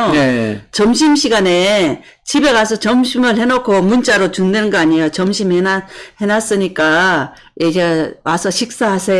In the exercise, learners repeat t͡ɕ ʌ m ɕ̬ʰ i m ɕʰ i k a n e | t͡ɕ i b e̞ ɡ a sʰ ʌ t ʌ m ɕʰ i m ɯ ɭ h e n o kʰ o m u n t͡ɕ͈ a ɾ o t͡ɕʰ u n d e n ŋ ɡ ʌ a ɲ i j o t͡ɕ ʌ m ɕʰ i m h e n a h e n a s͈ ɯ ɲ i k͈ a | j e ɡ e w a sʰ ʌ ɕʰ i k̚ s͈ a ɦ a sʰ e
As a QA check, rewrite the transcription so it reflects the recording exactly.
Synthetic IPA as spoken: t͡ɕ ʌ m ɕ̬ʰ i m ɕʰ i ɡ a n e | t͡ɕ i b e̞ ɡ a sʰ ʌ t͡ɕ ʌ m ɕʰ i m ɯ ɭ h e n o kʰ o m u n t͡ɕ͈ a ɾ o t͡ɕ u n d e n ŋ ɡ ʌ a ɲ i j o t͡ɕ ʌ m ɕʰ i m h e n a h e n a s͈ ɯ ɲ i k͈ a | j e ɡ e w a sʰ ʌ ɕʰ i k̚ s͈ a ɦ a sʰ e